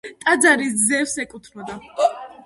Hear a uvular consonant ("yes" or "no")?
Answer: no